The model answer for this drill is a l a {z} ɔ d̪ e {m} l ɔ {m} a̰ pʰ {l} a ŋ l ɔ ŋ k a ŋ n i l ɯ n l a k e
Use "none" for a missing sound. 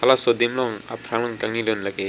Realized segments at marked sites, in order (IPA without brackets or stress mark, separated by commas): s, m, ŋ, ɾ